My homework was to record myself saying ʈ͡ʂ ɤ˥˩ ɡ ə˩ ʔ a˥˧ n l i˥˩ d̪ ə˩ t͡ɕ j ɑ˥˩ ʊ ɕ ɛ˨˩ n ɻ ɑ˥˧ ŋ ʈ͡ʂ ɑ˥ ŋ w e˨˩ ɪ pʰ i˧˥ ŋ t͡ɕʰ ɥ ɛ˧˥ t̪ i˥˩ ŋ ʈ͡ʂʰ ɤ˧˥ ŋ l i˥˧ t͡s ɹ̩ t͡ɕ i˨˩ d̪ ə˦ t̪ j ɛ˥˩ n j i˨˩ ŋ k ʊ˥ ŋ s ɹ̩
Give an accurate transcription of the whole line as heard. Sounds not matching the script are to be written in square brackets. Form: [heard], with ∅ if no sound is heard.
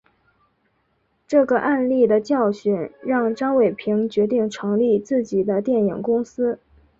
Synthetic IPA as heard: ʈ͡ʂ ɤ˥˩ ɡ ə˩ ʔ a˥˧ n l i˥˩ d̪ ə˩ t͡ɕ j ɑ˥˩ ʊ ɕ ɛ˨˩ n ɻ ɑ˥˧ ŋ ʈ͡ʂ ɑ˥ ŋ w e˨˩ ɪ pʰ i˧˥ ŋ [t͡ɕ] ɥ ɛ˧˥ t̪ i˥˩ ŋ ʈ͡ʂʰ ɤ˧˥ ŋ l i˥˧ t͡s ɹ̩ t͡ɕ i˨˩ d̪ ə˦ t̪ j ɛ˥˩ n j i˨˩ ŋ k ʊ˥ ŋ s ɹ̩